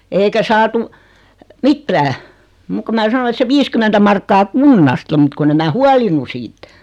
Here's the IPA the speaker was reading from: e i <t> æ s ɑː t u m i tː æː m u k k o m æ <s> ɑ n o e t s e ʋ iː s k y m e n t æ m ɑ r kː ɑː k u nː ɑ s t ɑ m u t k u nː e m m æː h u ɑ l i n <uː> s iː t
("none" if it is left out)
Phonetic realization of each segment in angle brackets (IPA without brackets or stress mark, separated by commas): k, s, u